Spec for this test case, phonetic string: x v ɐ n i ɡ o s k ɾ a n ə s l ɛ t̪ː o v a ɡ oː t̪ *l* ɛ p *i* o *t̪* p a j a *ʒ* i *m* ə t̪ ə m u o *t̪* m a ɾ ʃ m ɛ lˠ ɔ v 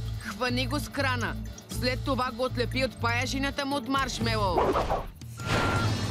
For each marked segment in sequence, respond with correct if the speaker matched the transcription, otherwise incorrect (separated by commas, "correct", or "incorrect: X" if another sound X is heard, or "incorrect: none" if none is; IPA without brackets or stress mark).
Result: correct, correct, correct, correct, incorrect: n, correct